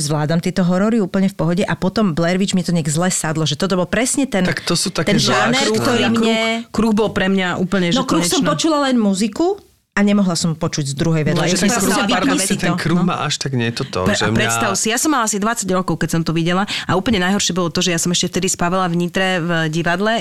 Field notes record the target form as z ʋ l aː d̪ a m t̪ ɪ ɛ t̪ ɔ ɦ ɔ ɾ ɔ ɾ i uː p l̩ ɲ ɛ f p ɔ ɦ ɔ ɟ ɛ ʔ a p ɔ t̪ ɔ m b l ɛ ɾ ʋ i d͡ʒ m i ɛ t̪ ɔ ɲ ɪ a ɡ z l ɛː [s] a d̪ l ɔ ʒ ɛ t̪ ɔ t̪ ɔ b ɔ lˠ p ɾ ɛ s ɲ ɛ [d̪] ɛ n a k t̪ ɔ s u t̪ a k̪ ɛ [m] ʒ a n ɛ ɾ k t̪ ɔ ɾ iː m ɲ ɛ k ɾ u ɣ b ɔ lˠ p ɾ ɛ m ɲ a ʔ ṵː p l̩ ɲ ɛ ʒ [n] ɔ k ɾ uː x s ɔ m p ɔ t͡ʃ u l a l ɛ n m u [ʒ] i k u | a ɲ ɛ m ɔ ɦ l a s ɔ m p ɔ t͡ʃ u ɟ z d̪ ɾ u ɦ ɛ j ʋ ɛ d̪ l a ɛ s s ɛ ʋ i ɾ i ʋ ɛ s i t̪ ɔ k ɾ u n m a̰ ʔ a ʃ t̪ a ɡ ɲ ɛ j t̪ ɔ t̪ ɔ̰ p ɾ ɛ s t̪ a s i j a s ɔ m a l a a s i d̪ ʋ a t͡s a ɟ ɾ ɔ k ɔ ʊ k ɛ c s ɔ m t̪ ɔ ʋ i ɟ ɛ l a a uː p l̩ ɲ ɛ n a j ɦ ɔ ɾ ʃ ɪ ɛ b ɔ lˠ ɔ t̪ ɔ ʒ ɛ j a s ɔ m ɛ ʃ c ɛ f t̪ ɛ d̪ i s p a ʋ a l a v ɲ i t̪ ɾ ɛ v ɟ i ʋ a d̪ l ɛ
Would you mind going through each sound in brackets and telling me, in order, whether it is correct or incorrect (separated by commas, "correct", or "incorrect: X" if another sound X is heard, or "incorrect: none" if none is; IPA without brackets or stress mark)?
correct, incorrect: t̪, incorrect: n, correct, incorrect: z